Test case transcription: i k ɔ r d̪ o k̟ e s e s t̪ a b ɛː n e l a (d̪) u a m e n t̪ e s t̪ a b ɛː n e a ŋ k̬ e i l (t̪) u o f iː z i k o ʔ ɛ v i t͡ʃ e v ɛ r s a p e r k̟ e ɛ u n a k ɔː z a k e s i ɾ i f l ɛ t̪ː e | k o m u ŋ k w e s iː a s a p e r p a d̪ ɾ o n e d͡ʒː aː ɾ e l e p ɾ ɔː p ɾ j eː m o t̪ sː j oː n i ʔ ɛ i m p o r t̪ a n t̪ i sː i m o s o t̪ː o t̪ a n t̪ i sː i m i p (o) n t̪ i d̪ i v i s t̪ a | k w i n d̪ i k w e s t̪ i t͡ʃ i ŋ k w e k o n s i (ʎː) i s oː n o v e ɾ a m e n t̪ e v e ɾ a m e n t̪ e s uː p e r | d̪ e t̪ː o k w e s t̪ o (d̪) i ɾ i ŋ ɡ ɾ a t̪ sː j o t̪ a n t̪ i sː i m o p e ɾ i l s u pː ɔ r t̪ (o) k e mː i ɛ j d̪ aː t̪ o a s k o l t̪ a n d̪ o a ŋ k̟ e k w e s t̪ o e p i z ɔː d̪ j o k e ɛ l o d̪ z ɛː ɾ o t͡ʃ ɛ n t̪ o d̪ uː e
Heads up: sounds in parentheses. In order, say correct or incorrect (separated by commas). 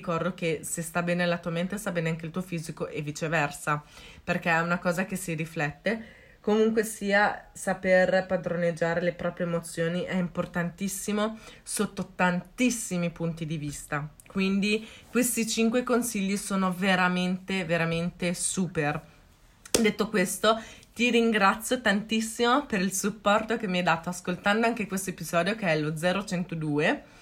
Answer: incorrect, correct, incorrect, correct, incorrect, correct